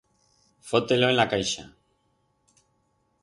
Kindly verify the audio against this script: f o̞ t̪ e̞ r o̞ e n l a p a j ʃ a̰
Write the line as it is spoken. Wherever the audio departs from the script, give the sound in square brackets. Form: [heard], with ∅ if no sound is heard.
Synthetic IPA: f o̞ t̪ e̞ [l] o̞ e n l a [k] a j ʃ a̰